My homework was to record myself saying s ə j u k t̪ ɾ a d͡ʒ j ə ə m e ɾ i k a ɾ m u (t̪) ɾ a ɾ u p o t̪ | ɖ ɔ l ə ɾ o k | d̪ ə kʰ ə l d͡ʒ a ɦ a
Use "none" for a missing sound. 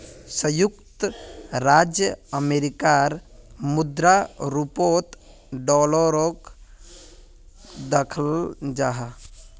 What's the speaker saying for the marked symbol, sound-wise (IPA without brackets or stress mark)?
d̪